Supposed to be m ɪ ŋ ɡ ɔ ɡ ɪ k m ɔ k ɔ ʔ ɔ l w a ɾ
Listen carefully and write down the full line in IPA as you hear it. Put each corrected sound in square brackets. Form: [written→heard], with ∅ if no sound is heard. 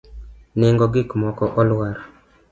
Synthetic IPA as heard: [m→n] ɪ ŋ ɡ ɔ ɡ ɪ k m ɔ k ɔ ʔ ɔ l w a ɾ